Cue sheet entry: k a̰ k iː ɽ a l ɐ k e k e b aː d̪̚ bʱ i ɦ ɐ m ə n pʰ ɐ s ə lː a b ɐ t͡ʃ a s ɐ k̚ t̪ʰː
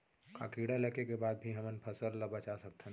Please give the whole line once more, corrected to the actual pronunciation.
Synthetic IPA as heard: k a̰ k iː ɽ a l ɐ k e k e b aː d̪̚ bʱ i ɦ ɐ m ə n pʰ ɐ s ə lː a b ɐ t͡ʃ a s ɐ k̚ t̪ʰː